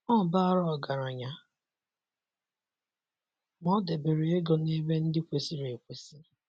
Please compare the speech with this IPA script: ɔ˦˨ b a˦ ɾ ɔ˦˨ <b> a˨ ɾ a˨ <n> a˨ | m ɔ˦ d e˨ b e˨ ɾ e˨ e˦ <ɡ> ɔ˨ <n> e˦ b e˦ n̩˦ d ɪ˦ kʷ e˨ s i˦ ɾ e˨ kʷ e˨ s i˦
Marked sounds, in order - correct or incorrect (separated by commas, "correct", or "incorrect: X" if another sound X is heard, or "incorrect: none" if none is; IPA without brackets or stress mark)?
incorrect: ɡ, incorrect: ɲ, correct, correct